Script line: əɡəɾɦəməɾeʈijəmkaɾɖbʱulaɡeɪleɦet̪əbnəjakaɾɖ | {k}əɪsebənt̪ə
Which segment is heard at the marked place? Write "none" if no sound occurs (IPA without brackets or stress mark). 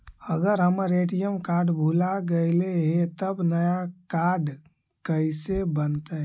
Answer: k